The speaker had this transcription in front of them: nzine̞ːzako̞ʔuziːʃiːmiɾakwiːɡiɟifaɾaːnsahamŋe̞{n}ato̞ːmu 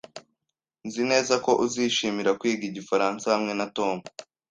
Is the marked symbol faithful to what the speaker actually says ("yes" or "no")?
yes